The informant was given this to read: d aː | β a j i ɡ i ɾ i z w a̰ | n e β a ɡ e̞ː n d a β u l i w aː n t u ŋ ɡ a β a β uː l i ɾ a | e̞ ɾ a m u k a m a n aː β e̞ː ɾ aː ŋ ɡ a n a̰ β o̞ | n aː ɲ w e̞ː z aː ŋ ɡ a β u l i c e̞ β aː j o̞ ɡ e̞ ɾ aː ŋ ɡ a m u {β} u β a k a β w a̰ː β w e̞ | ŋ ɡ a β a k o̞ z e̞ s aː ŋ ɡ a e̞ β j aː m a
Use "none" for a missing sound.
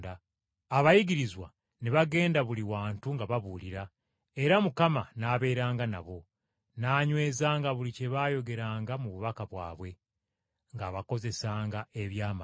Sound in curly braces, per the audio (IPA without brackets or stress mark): β